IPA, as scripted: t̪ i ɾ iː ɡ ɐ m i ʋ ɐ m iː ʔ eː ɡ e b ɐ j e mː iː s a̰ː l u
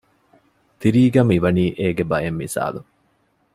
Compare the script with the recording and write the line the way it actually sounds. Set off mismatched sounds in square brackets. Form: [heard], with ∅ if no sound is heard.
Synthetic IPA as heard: t̪ i ɾ iː ɡ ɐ m i ʋ ɐ [n] iː ʔ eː ɡ e b ɐ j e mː [i] s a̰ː l u